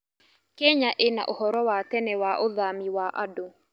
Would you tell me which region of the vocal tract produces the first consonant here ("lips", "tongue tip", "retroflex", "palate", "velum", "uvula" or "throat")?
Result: velum